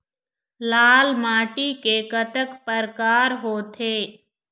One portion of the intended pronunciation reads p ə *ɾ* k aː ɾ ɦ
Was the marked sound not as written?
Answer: no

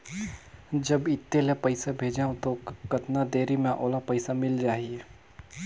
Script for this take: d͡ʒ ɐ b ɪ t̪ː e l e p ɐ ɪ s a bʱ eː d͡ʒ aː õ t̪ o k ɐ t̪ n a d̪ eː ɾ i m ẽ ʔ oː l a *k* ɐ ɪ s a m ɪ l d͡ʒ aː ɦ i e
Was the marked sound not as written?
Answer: yes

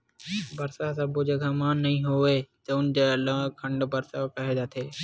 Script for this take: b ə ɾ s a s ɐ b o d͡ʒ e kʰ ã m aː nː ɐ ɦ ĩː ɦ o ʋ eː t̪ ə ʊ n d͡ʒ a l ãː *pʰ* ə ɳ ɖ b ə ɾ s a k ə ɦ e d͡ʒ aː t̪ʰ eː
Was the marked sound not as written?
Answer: yes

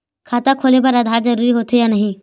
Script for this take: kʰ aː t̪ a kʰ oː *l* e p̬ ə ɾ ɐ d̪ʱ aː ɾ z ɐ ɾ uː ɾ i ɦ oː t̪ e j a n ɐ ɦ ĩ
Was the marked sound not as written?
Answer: no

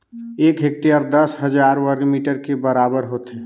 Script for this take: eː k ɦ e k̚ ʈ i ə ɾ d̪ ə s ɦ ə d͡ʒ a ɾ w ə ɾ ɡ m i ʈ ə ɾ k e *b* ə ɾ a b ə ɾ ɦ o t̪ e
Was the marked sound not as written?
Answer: no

